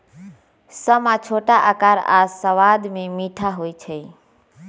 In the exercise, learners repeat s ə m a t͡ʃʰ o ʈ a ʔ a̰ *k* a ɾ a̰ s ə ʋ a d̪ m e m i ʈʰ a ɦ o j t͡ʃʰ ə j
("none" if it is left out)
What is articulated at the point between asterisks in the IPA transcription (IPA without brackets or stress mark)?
k